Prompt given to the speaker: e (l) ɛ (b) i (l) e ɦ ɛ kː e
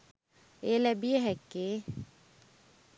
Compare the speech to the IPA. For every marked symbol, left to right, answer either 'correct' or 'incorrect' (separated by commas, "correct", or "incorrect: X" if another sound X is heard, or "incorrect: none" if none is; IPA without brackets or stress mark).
correct, correct, incorrect: none